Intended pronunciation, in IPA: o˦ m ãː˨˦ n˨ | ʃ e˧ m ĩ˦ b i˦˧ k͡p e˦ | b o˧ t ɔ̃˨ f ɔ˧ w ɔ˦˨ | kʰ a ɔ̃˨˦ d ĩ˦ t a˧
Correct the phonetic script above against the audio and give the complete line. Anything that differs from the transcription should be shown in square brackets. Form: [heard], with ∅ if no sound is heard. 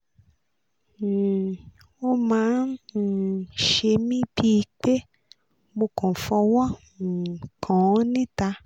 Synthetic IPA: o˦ m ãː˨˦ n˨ | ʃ e˧ m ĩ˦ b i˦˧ k͡p e˦ | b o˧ [k] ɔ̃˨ f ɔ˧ w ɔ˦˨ | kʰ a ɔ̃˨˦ [n] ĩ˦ t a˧